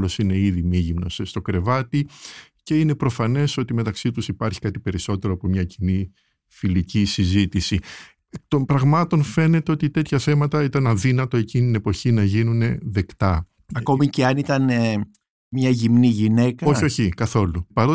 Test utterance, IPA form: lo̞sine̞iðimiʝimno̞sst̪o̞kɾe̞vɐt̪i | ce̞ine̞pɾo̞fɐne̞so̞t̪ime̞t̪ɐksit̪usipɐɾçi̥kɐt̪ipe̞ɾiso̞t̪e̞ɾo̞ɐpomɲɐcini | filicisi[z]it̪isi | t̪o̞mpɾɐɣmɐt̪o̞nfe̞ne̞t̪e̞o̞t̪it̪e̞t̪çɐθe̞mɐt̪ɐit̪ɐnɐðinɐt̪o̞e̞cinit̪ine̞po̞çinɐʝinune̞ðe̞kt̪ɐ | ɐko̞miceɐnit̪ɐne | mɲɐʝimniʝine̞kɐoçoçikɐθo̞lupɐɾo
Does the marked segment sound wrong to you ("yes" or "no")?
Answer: no